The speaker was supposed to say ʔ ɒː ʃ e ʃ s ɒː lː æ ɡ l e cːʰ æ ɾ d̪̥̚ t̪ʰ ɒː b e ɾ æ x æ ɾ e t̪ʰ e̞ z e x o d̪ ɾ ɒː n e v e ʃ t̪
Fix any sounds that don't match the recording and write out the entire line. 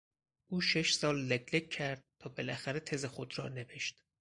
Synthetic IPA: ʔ uː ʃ e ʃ s ɒː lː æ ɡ l e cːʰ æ ɾ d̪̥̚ t̪ʰ ɒː b e l æ x æ ɾ e t̪ʰ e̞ z e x o d̪ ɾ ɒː n e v e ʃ t̪

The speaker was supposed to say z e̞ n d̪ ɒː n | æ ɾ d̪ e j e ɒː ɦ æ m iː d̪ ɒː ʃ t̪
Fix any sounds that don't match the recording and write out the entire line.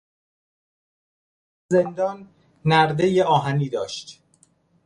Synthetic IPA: z e̞ n d̪ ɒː nː | æ ɾ d̪ e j e ɒː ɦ æ n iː d̪ ɒː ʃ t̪

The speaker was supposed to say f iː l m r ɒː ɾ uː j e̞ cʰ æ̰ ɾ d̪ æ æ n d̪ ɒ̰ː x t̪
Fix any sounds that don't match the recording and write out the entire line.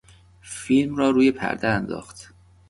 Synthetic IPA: f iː l m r ɒː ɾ uː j e̞ pʰ æ̰ ɾ d̪ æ æ n d̪ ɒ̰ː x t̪

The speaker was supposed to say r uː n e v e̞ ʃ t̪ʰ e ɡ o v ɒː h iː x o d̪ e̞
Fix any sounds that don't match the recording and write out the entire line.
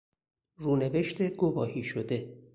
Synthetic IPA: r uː n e v e̞ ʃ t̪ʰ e ɡ o v ɒː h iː ʃ o d̪ e̞

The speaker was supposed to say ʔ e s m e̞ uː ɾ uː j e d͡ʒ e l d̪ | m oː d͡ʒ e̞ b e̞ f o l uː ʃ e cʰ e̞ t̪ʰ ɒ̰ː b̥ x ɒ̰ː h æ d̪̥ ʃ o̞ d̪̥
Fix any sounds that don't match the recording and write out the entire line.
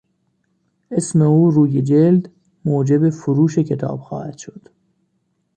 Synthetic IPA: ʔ e s m e̞ uː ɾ uː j e d͡ʒ e l d̪ | m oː d͡ʒ e̞ b e̞ f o ɾ uː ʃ e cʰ e̞ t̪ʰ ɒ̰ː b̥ x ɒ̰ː h æ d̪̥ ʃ o̞ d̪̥

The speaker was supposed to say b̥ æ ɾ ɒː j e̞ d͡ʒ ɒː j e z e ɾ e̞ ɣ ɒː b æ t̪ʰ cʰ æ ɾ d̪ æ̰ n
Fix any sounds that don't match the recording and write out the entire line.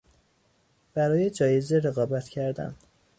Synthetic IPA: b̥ æ ɾ ɒː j e̞ d͡ʒ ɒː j e z e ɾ e̞ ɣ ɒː b æ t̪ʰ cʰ æ ɾ d̪ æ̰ n

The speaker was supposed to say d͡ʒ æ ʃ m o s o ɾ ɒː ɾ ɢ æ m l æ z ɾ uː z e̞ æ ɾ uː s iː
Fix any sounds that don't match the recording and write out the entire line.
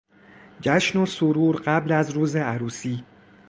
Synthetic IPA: d͡ʒ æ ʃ n o s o ɾ uː ɾ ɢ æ b l æ z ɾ uː z e̞ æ ɾ uː s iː

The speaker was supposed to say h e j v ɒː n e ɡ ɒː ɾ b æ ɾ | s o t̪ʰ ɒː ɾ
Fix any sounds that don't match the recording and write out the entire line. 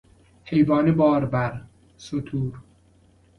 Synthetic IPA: h e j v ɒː n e b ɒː ɾ b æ ɾ | s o t̪ʰ uː ɾ

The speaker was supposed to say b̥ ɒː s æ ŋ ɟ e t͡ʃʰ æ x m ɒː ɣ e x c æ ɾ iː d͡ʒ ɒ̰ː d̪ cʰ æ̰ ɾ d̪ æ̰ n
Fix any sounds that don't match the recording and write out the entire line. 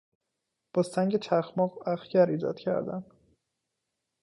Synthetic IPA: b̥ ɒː s æ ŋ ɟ e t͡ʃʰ æ x m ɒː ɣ æ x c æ ɾ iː d͡ʒ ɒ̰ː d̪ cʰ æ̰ ɾ d̪ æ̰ n

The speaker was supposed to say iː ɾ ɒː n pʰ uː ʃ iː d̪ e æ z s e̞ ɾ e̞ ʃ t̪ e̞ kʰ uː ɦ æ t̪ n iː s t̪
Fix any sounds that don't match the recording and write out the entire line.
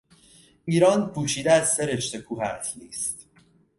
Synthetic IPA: iː ɾ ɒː n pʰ uː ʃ iː d̪ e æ z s e̞ ɾ e̞ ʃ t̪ e̞ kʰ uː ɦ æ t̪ n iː s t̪

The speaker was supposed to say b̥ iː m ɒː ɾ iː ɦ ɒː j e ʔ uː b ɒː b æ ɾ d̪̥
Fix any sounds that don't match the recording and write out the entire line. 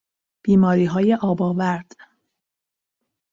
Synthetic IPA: b̥ iː m ɒː ɾ iː ɦ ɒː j e ʔ ɒː b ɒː v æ ɾ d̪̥

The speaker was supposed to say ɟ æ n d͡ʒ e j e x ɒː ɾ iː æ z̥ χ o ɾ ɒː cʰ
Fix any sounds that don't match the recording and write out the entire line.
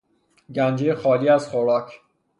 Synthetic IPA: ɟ æ n d͡ʒ e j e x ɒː l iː æ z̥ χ o ɾ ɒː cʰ

